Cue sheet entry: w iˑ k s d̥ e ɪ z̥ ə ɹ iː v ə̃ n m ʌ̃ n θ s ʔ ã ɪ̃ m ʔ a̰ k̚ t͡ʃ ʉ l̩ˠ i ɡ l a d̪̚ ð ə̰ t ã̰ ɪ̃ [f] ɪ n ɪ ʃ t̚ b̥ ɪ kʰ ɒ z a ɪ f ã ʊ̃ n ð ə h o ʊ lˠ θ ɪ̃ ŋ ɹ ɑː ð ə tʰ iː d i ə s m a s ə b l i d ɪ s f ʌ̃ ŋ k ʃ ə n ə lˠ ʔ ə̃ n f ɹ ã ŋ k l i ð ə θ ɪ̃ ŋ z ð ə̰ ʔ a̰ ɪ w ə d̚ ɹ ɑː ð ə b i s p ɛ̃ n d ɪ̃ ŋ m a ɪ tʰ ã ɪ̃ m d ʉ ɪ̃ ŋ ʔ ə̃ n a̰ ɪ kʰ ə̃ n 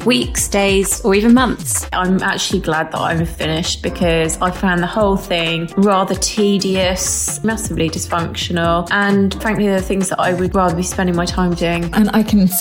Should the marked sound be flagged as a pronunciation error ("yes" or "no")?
no